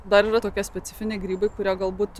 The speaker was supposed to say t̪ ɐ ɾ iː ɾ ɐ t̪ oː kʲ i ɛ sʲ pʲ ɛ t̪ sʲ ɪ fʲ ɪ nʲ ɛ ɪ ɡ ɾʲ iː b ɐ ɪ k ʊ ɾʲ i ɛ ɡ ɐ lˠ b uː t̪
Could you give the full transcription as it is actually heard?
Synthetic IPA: d̪ ɐ ɾ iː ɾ ɐ t̪ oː kʲ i ɛ sʲ pʲ ɛ t̪ sʲ ɪ fʲ ɪ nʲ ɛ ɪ ɡ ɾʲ iː b ɐ ɪ k ʊ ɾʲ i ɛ ɡ ɐ lˠ b uː t̪